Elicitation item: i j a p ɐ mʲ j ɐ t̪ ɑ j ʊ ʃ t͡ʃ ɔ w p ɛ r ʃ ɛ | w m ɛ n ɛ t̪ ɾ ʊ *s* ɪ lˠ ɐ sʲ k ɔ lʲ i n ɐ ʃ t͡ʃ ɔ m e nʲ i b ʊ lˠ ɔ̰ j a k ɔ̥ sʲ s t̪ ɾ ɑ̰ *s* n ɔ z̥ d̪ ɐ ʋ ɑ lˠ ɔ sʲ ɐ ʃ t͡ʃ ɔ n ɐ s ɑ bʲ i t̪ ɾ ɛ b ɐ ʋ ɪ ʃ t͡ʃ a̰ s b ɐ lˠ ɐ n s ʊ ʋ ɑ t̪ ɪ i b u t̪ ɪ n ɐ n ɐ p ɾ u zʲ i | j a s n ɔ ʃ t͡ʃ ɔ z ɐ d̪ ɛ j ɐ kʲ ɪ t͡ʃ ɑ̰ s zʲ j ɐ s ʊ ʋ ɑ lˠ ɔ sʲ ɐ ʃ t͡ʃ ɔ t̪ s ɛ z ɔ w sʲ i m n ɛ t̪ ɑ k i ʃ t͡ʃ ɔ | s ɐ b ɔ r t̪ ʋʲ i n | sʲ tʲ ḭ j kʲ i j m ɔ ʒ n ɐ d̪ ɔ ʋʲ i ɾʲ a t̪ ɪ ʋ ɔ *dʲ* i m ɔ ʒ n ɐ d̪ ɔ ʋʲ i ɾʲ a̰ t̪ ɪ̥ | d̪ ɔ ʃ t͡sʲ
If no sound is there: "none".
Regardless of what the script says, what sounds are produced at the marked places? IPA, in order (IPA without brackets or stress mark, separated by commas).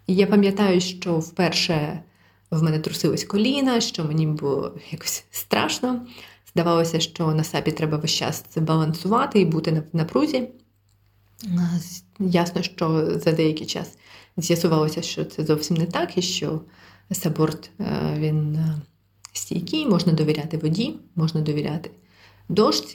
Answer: s, ʃ, dʲ